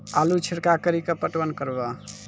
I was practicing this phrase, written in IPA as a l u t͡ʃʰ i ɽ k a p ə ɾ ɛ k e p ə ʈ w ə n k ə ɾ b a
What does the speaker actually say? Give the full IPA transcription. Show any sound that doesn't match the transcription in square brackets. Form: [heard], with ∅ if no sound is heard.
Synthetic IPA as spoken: a l u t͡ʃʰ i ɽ k a [k] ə ɾ [i] k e p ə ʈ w ə n k ə ɾ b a